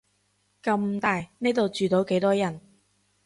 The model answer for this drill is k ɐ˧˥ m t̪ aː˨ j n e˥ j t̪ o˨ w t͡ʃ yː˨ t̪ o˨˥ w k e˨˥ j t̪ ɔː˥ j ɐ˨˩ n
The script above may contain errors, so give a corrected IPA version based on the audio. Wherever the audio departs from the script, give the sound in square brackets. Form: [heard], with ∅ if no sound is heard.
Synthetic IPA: k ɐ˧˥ m t̪ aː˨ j n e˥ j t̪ o˨ w t͡ʃ yː˨ t̪ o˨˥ w k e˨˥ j t̪ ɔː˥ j ɐ˨˩ n